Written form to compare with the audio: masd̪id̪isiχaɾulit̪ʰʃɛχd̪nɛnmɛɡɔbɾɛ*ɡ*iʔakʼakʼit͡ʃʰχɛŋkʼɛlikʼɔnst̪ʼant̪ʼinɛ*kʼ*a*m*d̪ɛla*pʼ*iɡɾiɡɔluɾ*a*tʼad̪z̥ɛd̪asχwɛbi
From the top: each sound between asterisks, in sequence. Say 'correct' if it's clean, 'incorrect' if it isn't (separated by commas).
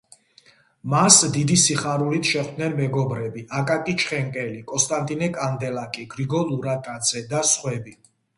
incorrect, correct, incorrect, incorrect, correct